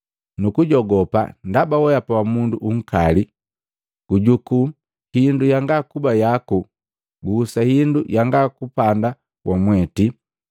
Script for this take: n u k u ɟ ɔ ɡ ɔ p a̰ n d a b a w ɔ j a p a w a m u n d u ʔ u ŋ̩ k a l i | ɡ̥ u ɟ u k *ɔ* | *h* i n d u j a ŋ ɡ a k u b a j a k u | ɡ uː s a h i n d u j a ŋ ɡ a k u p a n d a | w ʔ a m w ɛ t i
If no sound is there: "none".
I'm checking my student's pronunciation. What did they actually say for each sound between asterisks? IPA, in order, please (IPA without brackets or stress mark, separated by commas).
u, h